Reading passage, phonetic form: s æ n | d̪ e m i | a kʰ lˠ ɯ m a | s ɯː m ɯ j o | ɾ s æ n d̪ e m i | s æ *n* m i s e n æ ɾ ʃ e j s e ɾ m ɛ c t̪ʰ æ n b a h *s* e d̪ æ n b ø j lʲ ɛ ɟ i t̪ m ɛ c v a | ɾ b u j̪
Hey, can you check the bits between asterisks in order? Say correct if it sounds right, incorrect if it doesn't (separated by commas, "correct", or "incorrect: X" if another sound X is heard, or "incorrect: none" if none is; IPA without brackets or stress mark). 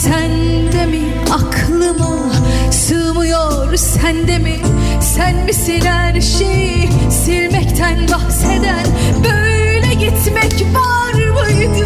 correct, correct